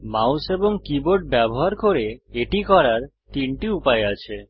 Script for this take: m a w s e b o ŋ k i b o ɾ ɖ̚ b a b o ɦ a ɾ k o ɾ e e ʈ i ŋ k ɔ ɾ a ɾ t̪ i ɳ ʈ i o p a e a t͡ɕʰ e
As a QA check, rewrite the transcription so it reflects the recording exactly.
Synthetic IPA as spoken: m a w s e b o ŋ k i b o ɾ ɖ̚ b ɛ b o ɦ a ɾ k o ɾ e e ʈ i k ɔ ɾ a ɾ t̪ i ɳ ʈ i u p a e a t͡ɕʰ e

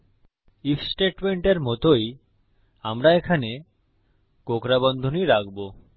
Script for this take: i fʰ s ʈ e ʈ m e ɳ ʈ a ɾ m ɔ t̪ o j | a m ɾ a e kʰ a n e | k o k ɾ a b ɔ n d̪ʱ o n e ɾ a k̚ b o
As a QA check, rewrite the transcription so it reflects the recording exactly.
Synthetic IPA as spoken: i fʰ s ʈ e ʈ m e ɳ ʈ e ɾ m ɔ t̪ o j | a m ɾ a e kʰ a n e | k o k ɾ a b ɔ n d̪ʱ o n i ɾ a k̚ b o

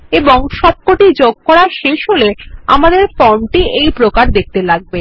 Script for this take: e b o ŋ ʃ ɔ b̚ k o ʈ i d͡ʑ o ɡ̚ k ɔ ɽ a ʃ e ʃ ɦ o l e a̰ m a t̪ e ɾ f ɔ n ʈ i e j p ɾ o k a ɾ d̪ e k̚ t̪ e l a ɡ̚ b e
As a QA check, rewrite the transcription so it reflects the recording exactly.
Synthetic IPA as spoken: e b o ŋ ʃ ɔ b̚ k o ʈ i d͡ʑ o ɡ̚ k ɔ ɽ a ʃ e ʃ ɦ o l e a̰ m a d̪ e ɾ f ɔ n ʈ i e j p ɾ o k a ɾ d̪ e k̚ t̪ e l a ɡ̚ b e

